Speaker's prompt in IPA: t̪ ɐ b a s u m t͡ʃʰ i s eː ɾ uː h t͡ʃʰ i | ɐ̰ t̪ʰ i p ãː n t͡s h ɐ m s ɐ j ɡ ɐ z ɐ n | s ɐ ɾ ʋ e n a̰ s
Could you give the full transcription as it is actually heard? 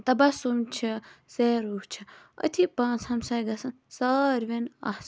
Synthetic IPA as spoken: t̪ ɐ b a s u m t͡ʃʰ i s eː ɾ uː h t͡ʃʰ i | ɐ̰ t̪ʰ i p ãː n t͡s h ɐ m s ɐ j ɡ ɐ s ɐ n | s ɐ ɾ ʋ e n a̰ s